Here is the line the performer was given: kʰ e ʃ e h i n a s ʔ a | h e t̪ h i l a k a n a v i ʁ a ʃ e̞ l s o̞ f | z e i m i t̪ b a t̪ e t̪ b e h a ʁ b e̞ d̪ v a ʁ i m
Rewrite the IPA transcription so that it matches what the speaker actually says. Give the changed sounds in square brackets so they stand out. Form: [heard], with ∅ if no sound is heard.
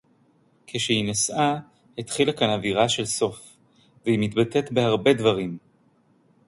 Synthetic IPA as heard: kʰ e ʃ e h i n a s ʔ a | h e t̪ [χ] i l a k a n a v i ʁ a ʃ e̞ l s o̞ f | [v] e i m i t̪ b a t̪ e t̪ b e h a ʁ b e̞ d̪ v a ʁ i m